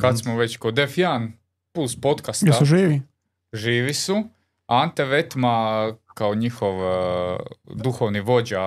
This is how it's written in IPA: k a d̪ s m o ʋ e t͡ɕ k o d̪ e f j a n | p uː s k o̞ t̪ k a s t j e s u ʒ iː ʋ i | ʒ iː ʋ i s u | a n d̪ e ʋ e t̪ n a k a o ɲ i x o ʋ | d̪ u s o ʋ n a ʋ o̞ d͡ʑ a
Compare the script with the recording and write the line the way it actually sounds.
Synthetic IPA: k a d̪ s m o ʋ e t͡ɕ k o d̪ e f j a n | p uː s p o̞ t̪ k a s t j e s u ʒ iː ʋ i | ʒ iː ʋ i s u | a n t̪ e ʋ e t̪ m a k a o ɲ i x o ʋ | d̪ u x o ʋ n i ʋ o̞ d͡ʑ a